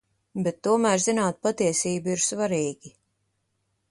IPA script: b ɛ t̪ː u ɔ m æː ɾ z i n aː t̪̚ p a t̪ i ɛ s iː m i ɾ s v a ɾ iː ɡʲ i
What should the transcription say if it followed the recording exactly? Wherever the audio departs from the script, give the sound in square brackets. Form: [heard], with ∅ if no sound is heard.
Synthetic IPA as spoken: b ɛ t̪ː u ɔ m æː ɾ z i n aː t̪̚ p a t̪ i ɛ s iː [b] i ɾ s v a ɾ iː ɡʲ i